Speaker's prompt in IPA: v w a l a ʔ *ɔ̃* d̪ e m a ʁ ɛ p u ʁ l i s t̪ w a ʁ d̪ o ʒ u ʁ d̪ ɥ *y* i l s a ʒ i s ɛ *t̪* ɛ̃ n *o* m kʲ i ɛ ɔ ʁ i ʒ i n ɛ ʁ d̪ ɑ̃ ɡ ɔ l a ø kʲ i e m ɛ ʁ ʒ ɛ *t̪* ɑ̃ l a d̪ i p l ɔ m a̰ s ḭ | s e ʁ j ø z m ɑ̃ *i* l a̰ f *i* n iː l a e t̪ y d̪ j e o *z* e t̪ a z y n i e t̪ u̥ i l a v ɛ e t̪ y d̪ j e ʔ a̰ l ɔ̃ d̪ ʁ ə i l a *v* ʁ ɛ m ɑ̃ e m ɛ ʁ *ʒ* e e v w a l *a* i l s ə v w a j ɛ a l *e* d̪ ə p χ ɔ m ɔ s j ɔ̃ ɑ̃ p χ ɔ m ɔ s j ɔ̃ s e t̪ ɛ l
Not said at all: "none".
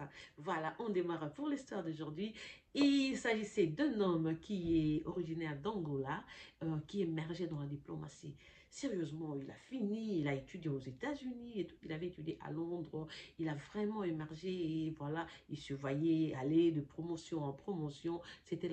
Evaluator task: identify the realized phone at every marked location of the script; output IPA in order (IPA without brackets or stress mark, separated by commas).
ɔ̃, i, d̪, ɔ, d̪, i, i, z, v, ʒ, a, e